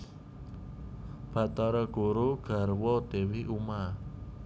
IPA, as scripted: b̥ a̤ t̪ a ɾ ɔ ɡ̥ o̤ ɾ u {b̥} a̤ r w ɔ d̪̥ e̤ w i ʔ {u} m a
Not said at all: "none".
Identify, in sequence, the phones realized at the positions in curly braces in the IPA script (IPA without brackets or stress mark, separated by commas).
ɡ̥, u